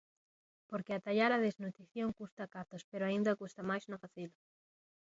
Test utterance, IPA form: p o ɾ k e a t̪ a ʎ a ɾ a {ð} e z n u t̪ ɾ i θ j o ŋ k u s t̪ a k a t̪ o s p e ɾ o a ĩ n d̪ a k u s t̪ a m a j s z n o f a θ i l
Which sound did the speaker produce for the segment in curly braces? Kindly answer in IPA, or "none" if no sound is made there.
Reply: ð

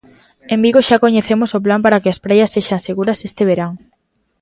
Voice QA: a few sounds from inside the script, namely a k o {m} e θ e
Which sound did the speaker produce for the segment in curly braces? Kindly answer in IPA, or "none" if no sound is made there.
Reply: ɲ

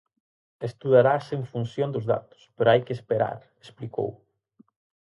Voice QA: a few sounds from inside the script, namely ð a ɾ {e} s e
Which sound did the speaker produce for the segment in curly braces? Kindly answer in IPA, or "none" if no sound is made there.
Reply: a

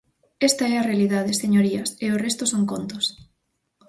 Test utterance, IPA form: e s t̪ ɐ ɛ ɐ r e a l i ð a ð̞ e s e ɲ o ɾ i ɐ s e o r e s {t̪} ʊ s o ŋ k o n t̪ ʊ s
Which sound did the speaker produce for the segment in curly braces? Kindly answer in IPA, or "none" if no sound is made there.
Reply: t̪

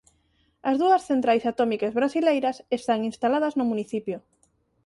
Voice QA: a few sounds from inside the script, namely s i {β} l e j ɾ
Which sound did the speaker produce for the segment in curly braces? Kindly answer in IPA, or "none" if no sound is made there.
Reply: none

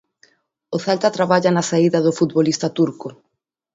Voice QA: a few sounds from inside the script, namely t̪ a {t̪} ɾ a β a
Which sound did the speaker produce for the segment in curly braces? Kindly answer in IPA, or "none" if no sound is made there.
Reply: t̪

